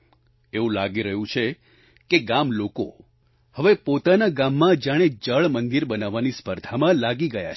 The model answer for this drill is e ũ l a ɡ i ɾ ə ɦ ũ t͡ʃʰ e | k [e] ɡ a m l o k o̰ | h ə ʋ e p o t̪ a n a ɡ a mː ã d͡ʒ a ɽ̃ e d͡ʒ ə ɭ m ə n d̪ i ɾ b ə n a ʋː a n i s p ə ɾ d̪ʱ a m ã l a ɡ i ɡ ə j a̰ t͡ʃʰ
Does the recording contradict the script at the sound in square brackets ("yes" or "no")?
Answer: no